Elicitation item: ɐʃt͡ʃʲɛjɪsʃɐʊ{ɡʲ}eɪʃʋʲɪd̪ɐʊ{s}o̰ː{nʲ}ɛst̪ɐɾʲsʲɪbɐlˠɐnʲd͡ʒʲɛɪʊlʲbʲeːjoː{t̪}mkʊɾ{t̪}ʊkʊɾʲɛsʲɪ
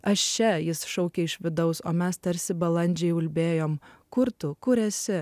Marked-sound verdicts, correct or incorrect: incorrect: kʲ, correct, incorrect: mʲ, incorrect: none, correct

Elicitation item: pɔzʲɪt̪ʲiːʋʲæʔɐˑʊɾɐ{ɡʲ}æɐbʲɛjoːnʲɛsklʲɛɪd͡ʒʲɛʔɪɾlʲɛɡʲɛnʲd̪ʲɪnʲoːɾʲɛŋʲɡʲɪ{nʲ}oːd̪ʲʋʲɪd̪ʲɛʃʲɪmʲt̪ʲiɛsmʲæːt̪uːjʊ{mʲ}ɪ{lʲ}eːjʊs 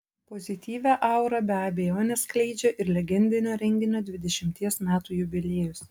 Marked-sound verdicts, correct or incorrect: incorrect: bʲ, correct, incorrect: bʲ, correct

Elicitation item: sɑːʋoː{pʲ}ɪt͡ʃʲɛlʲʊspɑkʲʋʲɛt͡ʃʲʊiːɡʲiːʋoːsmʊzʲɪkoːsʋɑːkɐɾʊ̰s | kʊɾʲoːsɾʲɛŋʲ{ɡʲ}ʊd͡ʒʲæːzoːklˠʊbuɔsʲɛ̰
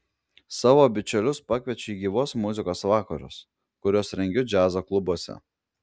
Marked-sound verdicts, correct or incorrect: incorrect: bʲ, correct

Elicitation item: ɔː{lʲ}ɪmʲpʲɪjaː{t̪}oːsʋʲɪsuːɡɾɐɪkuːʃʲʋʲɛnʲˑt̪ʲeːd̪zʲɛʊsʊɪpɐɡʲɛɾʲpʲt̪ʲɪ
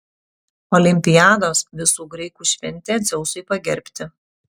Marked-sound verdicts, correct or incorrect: correct, incorrect: d̪

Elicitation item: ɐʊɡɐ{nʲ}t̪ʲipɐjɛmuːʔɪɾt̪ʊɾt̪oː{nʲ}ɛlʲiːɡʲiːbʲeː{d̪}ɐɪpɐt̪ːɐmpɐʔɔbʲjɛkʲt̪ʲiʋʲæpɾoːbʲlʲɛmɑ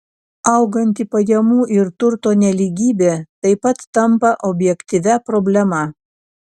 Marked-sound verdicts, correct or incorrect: correct, correct, incorrect: t̪

